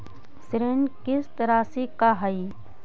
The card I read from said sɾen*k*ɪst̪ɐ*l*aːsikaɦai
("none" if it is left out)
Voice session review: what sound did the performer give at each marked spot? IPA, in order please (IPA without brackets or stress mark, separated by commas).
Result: k, ɾ